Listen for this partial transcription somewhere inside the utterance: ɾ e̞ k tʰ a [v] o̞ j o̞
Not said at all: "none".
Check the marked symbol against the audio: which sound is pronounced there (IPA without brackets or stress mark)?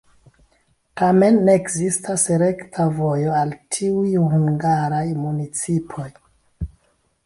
v